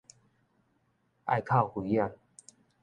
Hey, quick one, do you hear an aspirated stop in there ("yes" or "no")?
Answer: yes